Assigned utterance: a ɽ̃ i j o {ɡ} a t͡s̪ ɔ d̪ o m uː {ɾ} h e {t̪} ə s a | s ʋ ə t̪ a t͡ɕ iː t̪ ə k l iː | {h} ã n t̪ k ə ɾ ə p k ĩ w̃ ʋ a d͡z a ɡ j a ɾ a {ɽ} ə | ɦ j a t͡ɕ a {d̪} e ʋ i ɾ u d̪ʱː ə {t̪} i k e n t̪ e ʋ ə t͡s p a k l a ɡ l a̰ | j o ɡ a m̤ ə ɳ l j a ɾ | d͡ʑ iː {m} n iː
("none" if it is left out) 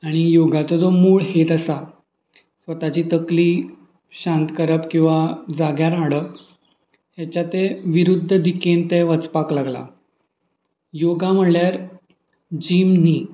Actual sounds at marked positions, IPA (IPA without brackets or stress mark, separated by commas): ɡ, ɭ, t̪, ɕ, ɽ, t̪, d̪, m